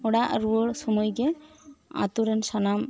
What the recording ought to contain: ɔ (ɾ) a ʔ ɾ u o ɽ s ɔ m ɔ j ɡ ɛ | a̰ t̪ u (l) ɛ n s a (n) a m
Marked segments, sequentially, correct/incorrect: incorrect: ɽ, incorrect: ɾ, correct

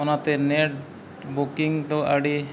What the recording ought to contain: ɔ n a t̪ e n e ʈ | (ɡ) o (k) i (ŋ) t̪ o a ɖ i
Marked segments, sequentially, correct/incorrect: incorrect: b, correct, correct

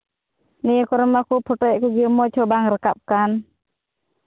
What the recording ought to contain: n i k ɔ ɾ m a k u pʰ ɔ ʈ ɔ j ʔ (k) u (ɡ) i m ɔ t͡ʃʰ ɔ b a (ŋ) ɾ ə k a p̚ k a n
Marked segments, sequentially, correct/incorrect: correct, correct, correct

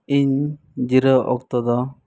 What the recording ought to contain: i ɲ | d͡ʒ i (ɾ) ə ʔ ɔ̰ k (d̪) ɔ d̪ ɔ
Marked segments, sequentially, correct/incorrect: correct, incorrect: t̪

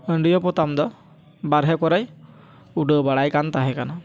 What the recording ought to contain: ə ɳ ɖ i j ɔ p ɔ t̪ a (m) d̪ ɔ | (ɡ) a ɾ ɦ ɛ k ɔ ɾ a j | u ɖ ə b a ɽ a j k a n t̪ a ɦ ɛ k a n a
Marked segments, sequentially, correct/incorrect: correct, incorrect: b

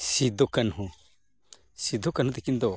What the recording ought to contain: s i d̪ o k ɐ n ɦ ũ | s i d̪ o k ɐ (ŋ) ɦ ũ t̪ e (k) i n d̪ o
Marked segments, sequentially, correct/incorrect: incorrect: n, correct

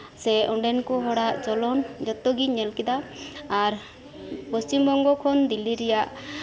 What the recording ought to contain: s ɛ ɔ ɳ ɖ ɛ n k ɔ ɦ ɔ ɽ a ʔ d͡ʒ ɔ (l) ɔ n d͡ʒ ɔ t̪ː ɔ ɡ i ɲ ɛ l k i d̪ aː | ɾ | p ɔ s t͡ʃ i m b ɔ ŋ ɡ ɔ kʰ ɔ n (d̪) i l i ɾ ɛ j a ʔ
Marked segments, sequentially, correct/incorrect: correct, correct

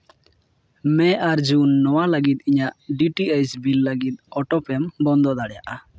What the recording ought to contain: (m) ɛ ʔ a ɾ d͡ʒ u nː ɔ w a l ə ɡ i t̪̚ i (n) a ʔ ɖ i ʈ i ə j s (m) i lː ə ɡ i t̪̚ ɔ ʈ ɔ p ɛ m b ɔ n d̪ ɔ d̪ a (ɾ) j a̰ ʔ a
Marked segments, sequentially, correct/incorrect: correct, incorrect: ɲ, incorrect: b, incorrect: ɽ

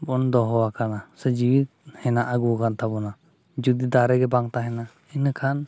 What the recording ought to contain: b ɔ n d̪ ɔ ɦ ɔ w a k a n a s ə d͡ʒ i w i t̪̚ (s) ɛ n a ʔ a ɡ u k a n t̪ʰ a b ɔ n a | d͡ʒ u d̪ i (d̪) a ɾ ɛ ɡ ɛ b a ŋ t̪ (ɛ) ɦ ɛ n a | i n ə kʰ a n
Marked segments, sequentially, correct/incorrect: incorrect: h, correct, incorrect: a

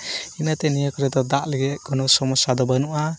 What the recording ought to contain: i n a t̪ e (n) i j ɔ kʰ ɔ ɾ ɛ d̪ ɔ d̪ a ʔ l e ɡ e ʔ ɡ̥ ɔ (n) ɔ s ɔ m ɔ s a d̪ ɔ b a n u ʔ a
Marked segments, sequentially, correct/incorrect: correct, correct

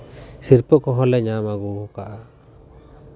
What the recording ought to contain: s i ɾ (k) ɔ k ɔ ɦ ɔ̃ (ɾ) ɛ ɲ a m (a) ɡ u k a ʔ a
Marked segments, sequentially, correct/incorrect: incorrect: p, incorrect: l, correct

